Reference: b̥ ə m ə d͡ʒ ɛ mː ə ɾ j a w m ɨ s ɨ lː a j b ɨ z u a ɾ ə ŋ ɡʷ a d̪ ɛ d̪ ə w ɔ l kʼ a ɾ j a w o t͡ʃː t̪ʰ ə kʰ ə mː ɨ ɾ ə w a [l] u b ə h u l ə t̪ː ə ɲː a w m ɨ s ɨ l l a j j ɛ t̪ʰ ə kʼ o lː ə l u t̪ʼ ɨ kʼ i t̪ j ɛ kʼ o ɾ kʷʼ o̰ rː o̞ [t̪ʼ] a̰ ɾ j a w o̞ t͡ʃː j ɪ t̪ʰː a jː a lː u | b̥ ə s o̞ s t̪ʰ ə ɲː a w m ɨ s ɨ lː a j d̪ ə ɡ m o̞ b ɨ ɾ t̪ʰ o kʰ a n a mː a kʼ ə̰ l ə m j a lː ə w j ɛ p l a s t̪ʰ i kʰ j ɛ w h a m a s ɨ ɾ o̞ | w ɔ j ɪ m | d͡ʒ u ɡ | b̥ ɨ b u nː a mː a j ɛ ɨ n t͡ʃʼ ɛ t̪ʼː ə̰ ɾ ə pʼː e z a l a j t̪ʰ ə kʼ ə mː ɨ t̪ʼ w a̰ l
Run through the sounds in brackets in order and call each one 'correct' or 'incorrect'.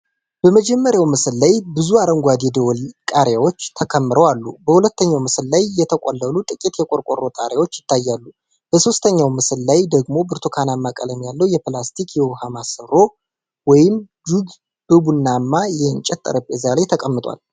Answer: incorrect: lː, correct

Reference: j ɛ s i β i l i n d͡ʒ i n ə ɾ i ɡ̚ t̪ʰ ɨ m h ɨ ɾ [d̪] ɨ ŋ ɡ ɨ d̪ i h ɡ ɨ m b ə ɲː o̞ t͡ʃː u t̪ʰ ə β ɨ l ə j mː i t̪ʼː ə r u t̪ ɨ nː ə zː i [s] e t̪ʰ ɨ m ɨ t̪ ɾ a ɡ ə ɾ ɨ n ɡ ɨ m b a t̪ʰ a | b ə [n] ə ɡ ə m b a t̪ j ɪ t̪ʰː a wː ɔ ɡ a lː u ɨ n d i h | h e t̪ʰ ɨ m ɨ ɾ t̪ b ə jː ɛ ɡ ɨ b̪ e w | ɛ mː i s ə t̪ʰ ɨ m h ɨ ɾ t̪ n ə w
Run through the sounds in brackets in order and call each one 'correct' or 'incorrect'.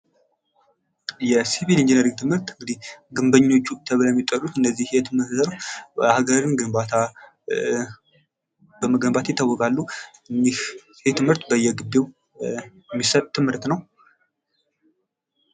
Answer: incorrect: t̪, incorrect: h, incorrect: m

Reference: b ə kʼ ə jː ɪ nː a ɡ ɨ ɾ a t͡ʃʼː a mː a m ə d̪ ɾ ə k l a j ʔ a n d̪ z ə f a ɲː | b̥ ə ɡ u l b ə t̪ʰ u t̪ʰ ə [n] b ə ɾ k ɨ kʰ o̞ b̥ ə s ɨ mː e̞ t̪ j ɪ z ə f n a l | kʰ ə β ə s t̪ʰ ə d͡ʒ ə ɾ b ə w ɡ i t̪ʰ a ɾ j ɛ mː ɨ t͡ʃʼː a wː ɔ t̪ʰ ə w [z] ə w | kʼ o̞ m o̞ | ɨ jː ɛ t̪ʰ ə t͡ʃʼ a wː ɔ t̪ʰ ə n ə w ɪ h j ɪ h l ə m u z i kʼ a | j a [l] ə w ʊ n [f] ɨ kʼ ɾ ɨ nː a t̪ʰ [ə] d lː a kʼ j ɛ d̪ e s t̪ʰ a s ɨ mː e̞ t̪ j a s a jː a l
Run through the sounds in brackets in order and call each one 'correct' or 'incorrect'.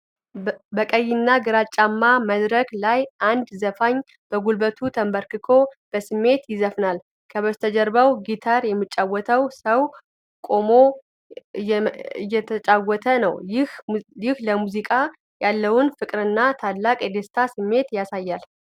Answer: incorrect: m, incorrect: s, incorrect: lː, correct, incorrect: a

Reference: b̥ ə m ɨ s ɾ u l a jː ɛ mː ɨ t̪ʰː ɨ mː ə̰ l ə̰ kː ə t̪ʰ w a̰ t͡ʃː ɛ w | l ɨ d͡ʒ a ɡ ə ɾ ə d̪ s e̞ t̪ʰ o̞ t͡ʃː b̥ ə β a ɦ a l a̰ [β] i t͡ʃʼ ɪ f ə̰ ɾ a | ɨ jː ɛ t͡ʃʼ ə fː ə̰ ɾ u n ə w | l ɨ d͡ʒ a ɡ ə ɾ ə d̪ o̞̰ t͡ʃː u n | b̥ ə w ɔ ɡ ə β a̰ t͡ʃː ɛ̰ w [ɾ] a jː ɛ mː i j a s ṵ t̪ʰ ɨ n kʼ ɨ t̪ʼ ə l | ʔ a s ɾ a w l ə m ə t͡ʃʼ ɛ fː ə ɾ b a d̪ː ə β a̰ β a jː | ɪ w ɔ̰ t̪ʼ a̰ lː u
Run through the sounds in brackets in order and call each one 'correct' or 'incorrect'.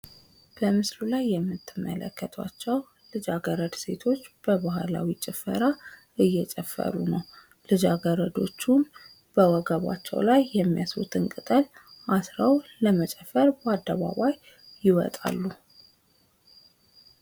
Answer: incorrect: w, incorrect: l

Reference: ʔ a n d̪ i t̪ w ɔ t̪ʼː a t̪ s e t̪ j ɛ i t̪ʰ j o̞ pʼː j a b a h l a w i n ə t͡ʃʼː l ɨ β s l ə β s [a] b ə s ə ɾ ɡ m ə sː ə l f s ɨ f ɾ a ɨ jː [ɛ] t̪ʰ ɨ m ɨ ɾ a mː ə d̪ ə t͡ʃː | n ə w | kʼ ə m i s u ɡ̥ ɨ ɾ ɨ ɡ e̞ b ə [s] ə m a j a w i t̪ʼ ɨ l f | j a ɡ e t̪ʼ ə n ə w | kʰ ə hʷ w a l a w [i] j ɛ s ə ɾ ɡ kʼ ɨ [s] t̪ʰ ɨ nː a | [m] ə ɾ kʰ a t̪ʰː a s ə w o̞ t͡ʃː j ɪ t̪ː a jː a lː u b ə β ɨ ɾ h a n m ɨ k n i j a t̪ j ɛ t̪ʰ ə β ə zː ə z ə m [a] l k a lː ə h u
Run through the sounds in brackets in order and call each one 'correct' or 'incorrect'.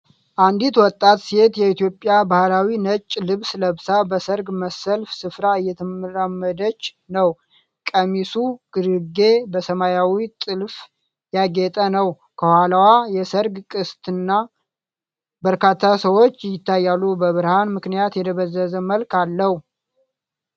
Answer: correct, correct, correct, incorrect: a, correct, incorrect: b, incorrect: ə

